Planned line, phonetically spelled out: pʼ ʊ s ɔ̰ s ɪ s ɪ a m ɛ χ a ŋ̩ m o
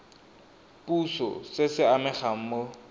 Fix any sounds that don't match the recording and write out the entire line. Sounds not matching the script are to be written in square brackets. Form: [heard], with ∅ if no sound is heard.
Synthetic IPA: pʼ [u] s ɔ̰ s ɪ s ɪ a m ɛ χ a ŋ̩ m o